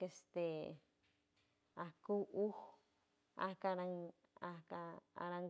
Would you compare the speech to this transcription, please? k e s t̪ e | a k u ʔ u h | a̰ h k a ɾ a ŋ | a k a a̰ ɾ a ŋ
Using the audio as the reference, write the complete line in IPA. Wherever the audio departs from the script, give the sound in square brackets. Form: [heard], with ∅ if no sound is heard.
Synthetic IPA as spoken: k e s t̪ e | a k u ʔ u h | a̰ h k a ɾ a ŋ | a k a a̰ ɾ a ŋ